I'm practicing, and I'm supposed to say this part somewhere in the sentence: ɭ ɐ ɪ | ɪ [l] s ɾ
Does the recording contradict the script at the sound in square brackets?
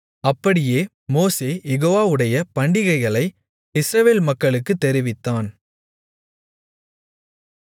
yes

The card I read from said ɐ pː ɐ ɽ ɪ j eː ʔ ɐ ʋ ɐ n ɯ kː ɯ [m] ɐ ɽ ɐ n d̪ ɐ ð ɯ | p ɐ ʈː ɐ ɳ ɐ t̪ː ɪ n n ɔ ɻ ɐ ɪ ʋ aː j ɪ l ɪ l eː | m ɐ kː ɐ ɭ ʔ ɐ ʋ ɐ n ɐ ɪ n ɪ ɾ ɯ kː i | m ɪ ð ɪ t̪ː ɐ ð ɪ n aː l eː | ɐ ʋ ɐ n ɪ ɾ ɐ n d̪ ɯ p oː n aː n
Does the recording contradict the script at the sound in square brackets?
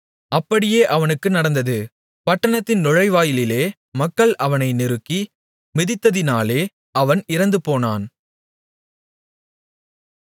yes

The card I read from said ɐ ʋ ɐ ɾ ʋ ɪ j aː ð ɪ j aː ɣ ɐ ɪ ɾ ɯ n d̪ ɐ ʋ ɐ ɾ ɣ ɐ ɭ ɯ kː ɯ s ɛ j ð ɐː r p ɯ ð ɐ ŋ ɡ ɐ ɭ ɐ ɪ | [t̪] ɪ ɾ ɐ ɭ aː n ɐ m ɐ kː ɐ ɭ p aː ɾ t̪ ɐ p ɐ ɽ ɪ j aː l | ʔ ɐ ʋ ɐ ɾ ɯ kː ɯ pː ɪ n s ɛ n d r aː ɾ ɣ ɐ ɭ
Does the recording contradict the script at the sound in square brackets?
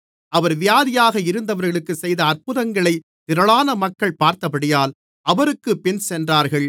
no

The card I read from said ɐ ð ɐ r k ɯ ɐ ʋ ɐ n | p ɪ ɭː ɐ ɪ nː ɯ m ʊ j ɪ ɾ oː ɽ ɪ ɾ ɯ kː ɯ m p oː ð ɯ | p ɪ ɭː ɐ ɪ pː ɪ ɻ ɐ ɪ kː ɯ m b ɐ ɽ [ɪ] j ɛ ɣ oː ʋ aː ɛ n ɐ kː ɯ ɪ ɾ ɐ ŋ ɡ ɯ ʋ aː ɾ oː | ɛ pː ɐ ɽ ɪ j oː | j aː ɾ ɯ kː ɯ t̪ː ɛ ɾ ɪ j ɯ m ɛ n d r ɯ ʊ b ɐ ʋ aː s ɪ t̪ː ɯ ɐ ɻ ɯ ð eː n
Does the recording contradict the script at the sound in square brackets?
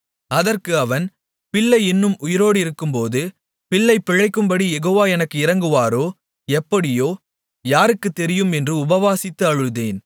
yes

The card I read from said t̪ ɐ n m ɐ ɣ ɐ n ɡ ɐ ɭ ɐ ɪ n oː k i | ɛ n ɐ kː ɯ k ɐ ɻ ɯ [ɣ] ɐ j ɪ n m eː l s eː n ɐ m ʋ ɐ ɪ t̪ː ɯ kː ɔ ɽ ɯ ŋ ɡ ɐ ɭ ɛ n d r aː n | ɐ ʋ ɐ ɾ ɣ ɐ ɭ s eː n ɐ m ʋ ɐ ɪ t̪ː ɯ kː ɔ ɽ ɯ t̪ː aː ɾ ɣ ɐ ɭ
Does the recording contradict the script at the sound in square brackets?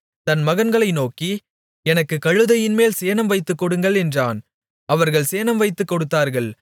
yes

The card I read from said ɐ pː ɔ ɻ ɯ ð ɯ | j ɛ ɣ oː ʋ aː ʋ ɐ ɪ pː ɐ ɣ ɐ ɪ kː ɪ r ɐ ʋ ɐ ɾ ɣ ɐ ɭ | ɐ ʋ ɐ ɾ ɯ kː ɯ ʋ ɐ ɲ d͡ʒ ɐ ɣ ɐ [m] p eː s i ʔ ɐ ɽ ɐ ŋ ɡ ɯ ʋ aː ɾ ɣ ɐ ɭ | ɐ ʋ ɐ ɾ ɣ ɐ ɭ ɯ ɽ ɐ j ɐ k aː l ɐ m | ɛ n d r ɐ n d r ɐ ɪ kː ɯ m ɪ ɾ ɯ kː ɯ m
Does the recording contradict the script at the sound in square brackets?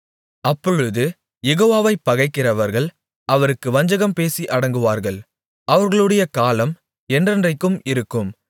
no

